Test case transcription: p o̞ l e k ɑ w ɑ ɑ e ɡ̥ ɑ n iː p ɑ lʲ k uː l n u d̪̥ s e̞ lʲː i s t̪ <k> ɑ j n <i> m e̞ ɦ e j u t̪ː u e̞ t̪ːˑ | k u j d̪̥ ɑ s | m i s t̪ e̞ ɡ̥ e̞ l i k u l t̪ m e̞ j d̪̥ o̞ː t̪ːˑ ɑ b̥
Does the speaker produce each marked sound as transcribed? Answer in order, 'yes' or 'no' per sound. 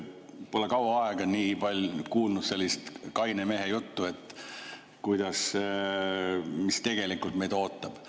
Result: yes, no

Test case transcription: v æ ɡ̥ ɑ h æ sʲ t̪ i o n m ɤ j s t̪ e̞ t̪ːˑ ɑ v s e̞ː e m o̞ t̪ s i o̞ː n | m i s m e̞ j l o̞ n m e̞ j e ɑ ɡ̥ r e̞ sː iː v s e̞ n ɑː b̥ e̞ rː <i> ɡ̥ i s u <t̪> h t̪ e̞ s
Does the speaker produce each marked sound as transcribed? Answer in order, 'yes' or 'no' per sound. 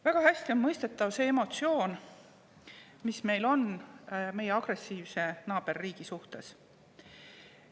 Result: no, no

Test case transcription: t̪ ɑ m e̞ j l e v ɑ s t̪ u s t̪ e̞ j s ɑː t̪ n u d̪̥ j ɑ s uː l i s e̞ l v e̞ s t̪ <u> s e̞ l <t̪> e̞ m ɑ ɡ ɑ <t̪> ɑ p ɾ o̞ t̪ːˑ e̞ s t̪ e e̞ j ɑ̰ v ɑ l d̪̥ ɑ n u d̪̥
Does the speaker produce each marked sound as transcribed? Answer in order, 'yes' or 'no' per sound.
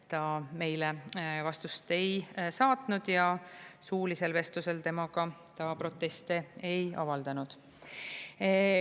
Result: yes, yes, yes

